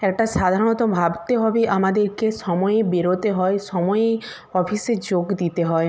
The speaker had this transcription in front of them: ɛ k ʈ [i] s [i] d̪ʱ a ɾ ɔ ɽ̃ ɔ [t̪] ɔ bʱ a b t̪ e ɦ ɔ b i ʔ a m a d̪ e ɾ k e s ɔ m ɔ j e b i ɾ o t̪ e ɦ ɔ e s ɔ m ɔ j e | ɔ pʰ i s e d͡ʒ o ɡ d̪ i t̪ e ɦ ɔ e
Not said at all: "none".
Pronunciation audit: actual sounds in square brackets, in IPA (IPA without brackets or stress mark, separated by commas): a, a, t̪